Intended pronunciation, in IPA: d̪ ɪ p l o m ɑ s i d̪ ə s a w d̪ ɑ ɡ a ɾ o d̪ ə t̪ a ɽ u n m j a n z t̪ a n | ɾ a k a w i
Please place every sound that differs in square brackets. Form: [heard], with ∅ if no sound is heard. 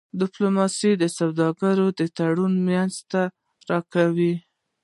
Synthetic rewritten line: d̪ ɪ p l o m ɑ s i d̪ ə s a w d̪ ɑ ɡ a ɾ o d̪ ə t̪ a ɽ u n m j a n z t̪ a [∅] | ɾ [ɑ] k a w i